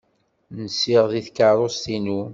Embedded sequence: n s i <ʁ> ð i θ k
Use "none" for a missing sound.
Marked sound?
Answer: ʁ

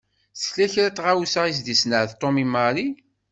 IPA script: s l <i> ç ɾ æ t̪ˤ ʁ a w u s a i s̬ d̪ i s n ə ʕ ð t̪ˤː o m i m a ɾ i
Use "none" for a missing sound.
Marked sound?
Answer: æ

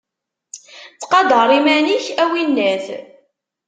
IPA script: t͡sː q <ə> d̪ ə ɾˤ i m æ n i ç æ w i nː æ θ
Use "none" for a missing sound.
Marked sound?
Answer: ɑ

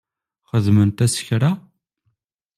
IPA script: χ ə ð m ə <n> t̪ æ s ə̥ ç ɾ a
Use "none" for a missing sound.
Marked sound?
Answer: n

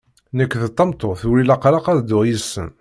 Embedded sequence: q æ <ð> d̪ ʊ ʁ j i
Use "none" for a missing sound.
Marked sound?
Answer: ð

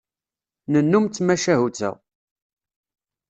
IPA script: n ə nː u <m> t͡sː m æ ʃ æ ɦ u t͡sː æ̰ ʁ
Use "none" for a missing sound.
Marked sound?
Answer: m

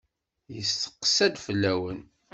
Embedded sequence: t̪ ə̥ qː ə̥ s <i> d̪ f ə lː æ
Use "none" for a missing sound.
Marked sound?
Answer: æ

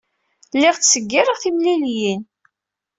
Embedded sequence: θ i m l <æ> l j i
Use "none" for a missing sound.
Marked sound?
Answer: i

